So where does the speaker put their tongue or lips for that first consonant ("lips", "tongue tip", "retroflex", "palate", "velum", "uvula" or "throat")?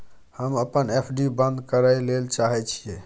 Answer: throat